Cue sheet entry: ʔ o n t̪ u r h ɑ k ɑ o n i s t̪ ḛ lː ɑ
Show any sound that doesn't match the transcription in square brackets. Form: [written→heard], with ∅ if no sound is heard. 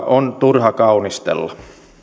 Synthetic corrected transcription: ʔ o n t̪ u r h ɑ k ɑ [o→u] n i s t̪ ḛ lː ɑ